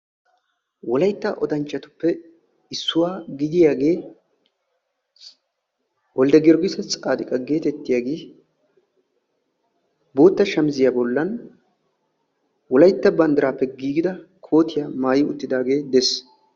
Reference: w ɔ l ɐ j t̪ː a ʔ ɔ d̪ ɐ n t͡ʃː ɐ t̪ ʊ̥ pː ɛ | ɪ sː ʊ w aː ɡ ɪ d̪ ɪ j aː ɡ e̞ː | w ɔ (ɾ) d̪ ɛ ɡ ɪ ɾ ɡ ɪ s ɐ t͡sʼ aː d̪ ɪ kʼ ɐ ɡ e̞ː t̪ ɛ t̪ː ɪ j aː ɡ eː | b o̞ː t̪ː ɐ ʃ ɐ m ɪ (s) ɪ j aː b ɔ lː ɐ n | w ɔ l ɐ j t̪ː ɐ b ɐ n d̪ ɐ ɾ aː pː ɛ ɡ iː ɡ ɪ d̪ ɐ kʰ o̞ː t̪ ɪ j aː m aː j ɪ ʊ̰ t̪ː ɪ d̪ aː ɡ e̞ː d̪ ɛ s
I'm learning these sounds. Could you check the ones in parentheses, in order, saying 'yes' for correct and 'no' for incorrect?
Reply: no, no

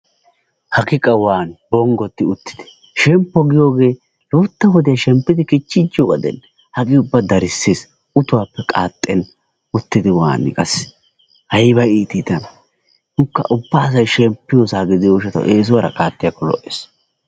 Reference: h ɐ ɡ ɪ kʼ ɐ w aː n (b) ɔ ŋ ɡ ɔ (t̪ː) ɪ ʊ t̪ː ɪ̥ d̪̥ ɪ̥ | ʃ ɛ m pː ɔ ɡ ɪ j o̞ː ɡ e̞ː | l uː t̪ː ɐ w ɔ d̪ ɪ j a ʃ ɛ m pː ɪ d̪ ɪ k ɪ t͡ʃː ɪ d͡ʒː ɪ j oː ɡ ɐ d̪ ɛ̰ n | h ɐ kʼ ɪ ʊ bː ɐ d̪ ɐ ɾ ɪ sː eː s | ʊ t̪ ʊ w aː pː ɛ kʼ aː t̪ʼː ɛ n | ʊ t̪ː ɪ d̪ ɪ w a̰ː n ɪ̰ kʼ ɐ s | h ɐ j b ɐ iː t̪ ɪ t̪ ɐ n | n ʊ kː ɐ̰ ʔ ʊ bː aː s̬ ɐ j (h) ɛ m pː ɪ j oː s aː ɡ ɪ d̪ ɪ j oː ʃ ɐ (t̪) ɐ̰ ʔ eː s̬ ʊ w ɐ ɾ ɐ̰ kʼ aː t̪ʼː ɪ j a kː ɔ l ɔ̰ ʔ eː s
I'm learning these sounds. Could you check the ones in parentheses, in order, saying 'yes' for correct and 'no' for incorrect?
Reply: yes, yes, no, yes

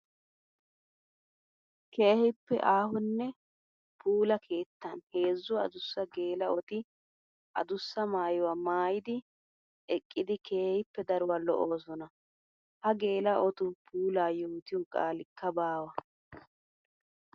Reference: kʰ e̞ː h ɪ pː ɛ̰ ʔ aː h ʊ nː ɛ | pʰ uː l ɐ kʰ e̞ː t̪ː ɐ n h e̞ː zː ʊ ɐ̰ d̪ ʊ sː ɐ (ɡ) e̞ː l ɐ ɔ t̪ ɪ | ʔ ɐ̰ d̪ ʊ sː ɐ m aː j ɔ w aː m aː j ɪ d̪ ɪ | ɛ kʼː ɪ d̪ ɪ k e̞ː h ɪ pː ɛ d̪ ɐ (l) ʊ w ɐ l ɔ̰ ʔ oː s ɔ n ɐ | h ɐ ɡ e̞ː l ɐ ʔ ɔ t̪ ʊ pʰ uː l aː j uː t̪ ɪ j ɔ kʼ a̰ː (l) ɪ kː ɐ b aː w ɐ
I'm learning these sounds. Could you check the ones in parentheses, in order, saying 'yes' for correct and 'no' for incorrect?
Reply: yes, no, yes

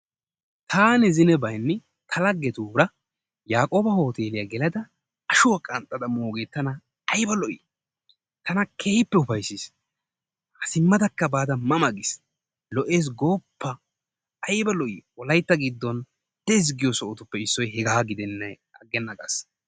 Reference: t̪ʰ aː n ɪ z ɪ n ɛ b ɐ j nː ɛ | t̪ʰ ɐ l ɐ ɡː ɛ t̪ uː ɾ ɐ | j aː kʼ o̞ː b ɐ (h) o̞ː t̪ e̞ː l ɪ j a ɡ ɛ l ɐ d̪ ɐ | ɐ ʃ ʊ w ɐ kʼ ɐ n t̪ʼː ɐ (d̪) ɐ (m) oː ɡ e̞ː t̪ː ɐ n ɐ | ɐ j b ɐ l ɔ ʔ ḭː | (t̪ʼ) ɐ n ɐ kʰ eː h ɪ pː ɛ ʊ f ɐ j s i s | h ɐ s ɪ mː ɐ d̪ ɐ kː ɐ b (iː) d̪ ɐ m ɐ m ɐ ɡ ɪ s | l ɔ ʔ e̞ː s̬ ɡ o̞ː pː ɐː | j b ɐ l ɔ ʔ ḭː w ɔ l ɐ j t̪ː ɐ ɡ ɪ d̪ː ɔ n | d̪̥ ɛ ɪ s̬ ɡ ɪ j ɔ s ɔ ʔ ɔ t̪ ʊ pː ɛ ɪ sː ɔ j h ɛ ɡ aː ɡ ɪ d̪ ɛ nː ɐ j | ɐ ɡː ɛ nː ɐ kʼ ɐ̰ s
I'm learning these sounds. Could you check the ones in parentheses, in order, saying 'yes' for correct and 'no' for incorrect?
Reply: yes, yes, yes, no, no

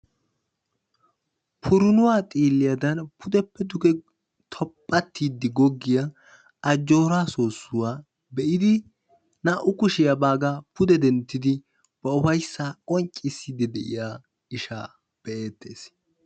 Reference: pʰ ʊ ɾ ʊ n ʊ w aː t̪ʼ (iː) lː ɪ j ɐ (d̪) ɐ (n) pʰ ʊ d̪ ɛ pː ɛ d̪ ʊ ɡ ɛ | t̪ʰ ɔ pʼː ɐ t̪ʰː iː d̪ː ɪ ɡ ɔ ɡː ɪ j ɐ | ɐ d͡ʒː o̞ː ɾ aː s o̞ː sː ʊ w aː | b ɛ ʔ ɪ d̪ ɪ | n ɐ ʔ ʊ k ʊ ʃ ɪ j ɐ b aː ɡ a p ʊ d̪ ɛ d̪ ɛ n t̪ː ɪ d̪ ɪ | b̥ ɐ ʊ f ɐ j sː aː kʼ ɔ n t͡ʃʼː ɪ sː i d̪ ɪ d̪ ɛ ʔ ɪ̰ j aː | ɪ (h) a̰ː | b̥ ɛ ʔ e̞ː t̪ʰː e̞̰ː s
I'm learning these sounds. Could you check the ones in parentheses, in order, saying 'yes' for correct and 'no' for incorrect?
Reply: yes, yes, yes, no

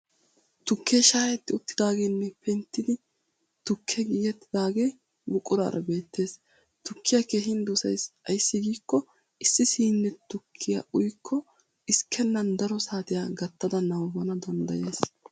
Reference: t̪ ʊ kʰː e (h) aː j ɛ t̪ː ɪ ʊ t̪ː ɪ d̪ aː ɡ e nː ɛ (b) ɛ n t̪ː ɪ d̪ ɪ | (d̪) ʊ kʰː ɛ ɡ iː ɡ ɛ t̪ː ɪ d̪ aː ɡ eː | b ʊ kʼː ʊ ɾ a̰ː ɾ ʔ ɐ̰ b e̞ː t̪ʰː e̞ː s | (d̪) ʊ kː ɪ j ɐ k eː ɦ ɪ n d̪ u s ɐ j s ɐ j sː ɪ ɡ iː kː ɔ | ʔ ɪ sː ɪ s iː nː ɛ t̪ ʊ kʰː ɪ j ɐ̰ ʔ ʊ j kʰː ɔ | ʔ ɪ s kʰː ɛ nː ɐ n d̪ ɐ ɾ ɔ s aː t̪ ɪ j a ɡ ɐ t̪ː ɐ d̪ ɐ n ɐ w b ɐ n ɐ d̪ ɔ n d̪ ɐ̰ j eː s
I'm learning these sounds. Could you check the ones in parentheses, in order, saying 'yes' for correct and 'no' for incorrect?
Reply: no, no, no, no

